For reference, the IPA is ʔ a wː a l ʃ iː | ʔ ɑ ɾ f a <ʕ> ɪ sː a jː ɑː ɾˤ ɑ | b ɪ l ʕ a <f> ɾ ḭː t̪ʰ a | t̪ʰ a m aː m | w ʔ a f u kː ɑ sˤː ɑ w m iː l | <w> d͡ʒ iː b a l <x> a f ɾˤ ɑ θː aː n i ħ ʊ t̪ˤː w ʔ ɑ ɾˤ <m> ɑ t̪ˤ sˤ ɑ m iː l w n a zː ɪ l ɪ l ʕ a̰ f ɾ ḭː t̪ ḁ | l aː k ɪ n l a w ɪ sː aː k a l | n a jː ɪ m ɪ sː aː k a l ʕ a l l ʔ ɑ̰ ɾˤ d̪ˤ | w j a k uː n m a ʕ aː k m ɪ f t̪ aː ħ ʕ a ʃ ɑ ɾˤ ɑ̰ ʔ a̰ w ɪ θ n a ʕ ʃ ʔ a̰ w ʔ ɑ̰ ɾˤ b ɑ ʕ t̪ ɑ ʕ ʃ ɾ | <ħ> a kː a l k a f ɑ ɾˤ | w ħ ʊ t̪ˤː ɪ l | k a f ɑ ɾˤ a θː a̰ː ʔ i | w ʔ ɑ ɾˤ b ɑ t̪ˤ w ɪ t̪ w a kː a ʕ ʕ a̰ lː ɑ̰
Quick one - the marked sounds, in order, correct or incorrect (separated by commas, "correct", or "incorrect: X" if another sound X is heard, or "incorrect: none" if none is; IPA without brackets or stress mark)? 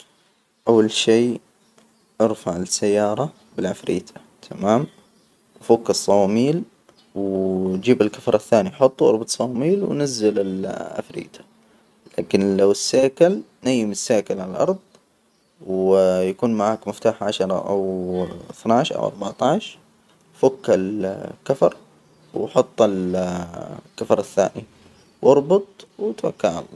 correct, correct, correct, incorrect: k, incorrect: b, incorrect: f